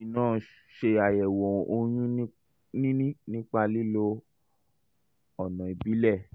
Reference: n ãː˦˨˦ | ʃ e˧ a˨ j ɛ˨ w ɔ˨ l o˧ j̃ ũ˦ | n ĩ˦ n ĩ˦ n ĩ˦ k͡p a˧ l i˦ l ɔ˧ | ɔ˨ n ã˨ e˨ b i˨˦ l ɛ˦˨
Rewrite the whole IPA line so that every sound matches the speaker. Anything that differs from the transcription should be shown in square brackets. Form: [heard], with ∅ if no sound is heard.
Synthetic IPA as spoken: n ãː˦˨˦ | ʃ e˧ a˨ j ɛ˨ w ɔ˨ [∅] o˧ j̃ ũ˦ | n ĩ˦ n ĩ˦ n ĩ˦ k͡p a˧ l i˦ l [o˧] | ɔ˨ n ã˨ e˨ b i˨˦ l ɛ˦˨